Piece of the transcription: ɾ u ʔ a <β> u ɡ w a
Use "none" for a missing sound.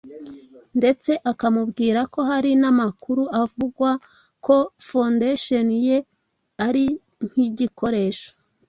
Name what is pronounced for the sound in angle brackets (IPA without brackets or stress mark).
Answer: v